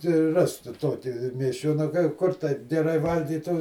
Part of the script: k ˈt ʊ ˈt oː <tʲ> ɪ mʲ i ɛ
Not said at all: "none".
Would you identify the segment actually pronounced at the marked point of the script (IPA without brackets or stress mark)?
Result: kʲ